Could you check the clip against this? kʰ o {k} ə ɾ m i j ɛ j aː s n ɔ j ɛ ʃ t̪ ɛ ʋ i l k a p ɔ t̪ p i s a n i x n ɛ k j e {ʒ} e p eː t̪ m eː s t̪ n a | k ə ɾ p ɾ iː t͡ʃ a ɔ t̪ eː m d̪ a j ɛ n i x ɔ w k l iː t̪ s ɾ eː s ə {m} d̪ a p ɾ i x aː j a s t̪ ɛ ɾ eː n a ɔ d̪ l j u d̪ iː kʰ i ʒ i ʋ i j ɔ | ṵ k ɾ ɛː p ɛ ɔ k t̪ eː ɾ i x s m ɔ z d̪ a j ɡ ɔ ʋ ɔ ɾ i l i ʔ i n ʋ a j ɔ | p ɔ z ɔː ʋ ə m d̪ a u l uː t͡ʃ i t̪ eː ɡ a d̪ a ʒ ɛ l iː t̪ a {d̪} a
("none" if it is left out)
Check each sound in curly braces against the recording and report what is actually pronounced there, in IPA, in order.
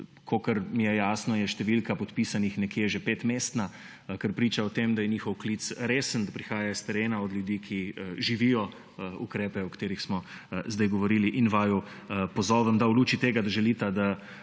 k, ʒ, n, d̪

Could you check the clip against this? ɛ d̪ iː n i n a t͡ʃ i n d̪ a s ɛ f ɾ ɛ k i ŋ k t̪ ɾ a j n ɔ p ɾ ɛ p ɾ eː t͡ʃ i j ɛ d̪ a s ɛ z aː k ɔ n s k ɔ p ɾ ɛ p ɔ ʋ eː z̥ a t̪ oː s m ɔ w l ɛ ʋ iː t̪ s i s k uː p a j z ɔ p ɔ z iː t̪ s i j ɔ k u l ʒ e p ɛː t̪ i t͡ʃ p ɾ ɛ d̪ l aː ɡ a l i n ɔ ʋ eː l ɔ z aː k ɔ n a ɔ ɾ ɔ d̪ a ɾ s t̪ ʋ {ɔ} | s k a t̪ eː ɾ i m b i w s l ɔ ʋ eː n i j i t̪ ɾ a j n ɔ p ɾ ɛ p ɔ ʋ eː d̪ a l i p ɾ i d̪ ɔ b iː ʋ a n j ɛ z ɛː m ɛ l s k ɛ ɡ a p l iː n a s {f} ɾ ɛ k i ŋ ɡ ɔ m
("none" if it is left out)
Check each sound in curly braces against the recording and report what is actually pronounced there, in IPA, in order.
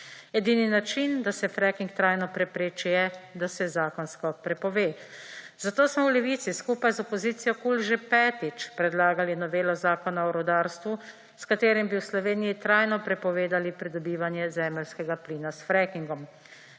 u, f

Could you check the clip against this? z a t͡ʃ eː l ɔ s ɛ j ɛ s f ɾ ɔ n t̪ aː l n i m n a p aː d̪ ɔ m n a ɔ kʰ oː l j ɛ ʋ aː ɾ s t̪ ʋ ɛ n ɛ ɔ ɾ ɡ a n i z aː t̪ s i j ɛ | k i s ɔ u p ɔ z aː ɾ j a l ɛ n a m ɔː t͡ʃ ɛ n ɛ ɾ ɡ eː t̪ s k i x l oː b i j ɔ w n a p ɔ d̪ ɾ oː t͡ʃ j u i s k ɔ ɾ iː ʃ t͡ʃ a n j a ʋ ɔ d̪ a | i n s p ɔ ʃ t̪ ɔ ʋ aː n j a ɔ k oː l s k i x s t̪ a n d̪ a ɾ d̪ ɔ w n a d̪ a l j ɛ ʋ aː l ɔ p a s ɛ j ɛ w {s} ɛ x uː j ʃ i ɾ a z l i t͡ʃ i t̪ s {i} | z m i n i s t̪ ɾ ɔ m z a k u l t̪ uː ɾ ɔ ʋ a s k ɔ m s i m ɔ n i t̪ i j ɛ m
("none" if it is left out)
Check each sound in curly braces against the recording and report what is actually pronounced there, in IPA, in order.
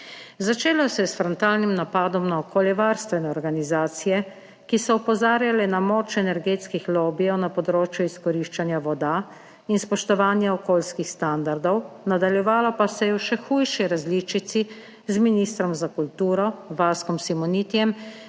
ʃ, i

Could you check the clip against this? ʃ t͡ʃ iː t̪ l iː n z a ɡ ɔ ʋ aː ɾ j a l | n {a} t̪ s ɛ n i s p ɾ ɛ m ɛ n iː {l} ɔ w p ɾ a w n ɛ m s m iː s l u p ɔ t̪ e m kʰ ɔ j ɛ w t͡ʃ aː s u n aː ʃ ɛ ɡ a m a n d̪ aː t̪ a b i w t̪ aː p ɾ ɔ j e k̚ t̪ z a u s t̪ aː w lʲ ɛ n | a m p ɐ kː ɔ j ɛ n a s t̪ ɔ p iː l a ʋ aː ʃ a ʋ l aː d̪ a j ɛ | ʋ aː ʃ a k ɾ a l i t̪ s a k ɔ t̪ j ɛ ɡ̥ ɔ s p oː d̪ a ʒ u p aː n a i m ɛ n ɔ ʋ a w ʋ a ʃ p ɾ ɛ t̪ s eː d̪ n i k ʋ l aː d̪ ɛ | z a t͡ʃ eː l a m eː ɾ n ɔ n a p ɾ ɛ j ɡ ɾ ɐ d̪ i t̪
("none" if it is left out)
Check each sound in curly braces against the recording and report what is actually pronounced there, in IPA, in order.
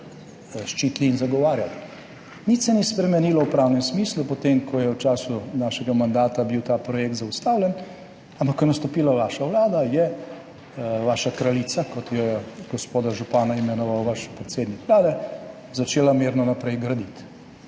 i, l

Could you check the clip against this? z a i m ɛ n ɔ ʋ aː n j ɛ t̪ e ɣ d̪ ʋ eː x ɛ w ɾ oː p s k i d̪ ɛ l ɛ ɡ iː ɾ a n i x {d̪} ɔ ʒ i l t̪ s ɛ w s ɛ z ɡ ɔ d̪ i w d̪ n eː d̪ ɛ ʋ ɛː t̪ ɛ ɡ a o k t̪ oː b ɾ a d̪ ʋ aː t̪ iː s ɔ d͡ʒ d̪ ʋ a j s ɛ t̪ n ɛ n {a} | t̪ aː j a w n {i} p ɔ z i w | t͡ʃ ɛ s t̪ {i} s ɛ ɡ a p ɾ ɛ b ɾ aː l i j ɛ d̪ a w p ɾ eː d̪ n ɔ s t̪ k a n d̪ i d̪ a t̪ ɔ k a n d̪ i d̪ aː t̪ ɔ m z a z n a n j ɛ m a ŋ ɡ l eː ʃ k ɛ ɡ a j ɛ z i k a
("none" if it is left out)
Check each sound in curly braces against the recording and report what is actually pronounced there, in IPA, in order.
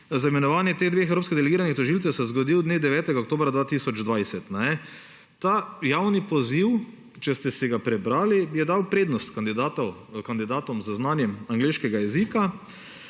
t̪, ɛ, i, ɛ

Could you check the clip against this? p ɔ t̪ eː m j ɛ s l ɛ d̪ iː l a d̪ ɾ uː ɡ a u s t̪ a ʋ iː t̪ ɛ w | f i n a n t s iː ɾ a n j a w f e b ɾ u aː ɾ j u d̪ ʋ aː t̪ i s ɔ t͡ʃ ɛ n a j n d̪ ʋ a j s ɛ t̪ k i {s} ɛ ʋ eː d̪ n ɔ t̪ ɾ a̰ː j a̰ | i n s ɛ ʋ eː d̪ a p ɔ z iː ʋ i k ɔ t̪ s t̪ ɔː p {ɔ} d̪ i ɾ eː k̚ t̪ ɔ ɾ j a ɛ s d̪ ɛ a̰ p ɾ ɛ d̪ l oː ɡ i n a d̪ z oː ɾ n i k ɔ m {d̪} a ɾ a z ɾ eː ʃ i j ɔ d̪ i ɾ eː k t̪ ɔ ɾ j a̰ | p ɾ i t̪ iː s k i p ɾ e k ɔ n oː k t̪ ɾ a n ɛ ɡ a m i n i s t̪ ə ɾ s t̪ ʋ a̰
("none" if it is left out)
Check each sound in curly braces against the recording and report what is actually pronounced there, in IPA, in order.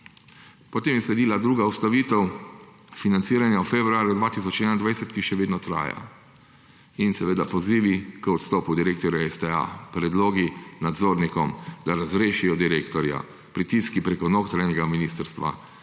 ʃ, u, d̪

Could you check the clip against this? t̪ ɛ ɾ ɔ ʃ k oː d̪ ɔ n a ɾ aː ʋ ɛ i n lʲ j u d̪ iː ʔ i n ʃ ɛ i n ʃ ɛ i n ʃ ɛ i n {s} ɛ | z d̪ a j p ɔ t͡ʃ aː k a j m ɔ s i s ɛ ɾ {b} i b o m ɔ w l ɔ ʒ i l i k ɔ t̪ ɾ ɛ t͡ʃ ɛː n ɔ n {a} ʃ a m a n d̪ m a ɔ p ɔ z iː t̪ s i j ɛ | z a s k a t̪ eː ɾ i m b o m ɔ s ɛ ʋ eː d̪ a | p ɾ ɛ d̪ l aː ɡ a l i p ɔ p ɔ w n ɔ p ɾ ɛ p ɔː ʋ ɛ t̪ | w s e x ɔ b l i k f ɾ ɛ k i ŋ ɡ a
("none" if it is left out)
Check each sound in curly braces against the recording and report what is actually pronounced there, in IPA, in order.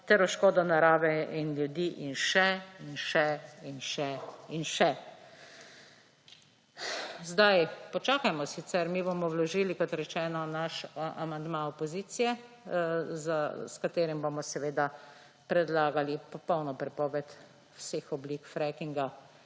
ʃ, m, a

